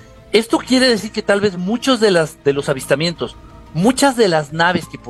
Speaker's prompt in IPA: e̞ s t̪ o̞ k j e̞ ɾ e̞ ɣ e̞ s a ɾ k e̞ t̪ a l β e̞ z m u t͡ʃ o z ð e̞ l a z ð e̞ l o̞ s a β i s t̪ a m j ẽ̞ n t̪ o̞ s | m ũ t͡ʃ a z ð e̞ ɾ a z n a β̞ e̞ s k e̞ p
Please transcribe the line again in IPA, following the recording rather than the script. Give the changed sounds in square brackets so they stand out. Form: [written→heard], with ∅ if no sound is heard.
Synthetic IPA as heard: e̞ s t̪ o̞ k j e̞ ɾ e̞ [ɣ→ð] e̞ s [a→i] ɾ k e̞ t̪ a l β e̞ z m u t͡ʃ o z ð e̞ l a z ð e̞ l o̞ s a β i s t̪ a m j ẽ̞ n t̪ o̞ s | m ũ t͡ʃ a z ð e̞ [ɾ→l] a z n a β̞ e̞ s k e̞ p